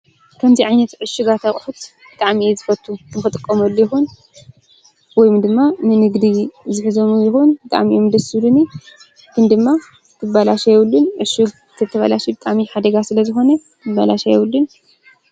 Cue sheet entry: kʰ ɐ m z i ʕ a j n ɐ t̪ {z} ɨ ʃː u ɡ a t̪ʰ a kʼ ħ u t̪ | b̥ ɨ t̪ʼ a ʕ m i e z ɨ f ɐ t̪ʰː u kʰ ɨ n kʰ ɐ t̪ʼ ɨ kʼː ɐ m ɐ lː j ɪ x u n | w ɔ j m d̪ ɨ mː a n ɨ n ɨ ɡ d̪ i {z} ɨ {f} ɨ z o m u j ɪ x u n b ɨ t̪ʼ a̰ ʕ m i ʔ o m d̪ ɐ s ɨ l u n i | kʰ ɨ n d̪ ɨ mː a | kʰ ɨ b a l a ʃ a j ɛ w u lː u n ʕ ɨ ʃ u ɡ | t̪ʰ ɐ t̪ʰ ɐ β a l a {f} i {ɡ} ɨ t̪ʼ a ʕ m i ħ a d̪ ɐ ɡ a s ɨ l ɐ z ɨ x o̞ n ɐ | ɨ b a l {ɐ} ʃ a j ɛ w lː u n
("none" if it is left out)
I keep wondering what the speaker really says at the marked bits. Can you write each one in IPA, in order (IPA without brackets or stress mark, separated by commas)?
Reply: ʕ, z, ħ, ʃ, b, a